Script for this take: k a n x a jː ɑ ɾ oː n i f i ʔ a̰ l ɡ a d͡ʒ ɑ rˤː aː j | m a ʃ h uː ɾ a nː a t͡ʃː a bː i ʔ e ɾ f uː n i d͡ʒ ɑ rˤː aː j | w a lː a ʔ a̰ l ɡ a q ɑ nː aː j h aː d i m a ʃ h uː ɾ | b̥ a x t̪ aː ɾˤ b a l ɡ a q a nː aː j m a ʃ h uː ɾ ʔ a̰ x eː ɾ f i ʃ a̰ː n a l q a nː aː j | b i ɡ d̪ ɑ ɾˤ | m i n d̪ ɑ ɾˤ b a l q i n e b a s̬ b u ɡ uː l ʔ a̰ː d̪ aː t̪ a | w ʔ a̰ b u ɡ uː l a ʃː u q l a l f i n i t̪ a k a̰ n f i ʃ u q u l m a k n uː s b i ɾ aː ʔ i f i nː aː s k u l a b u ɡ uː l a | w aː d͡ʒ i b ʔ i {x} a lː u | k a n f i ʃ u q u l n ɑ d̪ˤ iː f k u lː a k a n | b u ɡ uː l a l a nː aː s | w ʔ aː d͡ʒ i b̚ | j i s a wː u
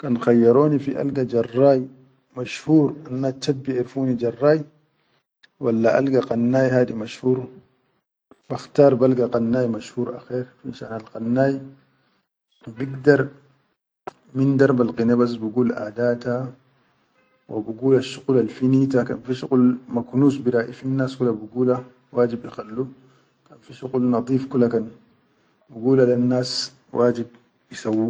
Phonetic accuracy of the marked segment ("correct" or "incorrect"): correct